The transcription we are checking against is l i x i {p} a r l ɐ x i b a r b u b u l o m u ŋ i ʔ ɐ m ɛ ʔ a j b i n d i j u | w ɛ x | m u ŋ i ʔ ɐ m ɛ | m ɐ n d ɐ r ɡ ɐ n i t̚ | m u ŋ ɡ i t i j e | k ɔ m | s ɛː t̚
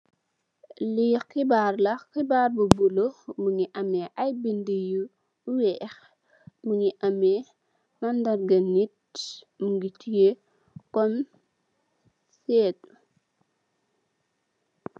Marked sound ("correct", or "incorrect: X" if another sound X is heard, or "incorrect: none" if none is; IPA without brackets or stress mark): incorrect: b